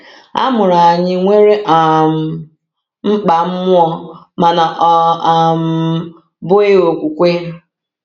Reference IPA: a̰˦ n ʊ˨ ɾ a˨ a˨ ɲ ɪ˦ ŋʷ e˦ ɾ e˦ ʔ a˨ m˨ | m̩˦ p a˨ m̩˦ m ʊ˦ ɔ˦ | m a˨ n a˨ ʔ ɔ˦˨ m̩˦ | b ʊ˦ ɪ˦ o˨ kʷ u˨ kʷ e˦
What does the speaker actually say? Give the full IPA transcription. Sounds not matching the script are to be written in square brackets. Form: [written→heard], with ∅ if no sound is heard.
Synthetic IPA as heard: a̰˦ [n→m] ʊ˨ ɾ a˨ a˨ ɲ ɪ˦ ŋʷ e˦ ɾ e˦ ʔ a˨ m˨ | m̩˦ [p→k͡p] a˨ m̩˦ m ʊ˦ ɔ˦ | m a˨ n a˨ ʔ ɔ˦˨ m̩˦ | b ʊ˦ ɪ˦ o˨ kʷ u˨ kʷ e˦